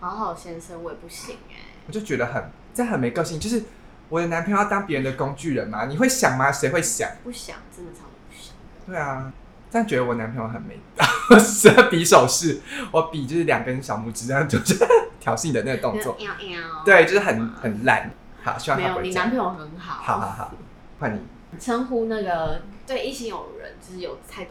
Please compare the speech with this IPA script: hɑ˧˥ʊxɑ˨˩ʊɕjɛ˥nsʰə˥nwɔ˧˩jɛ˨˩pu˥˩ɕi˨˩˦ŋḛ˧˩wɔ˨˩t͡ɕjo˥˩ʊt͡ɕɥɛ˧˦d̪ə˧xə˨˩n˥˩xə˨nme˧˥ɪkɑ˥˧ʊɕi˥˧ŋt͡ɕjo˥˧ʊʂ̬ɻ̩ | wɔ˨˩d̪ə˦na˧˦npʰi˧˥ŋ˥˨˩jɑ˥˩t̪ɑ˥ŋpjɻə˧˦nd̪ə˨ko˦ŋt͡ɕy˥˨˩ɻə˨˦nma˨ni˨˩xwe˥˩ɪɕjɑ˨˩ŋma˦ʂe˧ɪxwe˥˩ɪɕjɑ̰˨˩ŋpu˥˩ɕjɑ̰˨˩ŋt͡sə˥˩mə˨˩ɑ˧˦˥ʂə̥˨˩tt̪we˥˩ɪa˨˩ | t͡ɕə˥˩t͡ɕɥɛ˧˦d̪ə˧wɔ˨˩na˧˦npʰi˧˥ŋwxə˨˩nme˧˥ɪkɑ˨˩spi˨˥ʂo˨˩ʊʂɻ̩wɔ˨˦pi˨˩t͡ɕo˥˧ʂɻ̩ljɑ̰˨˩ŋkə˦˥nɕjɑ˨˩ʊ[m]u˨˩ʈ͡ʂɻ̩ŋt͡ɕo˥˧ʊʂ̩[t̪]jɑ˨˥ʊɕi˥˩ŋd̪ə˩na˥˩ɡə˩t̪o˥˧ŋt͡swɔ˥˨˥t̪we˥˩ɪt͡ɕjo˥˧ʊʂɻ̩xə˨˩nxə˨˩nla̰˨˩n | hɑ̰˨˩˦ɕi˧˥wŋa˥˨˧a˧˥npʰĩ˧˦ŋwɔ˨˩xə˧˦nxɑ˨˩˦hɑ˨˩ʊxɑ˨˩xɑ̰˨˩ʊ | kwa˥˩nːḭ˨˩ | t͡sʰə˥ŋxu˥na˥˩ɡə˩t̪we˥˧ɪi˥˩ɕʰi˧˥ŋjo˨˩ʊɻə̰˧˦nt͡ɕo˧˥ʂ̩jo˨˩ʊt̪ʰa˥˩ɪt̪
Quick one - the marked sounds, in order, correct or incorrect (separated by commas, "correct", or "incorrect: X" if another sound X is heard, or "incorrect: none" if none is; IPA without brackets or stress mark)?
correct, incorrect: t̪ʰ